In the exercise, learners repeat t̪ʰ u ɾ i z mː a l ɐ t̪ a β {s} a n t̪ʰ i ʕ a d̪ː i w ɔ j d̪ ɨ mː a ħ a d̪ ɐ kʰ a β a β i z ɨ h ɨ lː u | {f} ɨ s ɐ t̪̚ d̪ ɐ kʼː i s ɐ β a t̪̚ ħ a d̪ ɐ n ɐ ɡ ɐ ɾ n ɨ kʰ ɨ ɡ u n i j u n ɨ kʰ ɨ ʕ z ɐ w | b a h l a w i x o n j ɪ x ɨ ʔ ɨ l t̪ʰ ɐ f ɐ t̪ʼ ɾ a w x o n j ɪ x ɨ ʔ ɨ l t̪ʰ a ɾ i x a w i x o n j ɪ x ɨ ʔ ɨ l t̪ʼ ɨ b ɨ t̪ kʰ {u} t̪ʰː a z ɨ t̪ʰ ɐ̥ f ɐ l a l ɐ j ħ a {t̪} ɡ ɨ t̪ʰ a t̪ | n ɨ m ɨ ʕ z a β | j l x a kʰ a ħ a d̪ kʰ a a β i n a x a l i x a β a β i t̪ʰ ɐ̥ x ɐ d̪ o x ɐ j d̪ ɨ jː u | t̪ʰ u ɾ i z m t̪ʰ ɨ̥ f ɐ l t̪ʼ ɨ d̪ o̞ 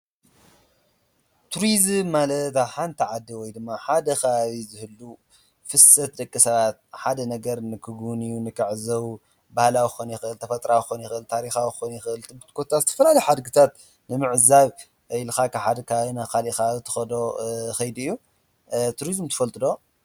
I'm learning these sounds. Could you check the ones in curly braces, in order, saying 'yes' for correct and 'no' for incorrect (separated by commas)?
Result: no, yes, no, no